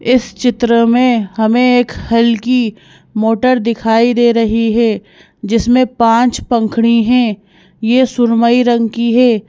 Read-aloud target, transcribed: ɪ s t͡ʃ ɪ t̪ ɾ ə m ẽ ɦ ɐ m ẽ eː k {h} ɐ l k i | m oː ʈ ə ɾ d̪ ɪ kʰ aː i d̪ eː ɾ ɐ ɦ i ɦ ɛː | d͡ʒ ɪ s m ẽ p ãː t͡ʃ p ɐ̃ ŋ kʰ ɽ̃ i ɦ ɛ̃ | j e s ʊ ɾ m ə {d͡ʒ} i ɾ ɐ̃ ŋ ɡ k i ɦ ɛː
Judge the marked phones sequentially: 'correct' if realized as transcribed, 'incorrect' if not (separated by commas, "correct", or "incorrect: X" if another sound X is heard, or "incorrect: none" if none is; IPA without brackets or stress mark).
correct, incorrect: none